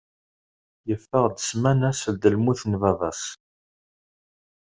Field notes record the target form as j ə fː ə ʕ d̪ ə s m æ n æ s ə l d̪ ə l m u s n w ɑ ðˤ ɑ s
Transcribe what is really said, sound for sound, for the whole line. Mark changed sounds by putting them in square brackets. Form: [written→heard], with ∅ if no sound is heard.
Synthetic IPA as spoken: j ə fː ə [ʕ→ʁ] d̪ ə s m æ n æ s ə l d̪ ə l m u [s→θ] n [w→v] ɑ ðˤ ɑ s